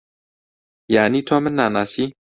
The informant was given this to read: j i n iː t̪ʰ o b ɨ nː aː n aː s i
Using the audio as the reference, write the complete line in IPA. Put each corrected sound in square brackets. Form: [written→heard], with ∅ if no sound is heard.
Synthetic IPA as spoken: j [i→a] n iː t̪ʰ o [b→m] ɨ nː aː n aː s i